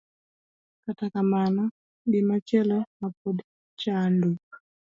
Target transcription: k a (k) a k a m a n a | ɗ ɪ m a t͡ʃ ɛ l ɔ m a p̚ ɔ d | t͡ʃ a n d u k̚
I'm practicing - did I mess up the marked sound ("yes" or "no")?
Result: yes